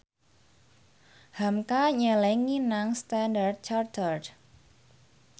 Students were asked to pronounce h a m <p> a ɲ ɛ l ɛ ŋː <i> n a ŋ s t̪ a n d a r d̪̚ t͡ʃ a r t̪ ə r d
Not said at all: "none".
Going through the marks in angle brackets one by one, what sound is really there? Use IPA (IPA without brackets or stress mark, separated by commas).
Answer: k, i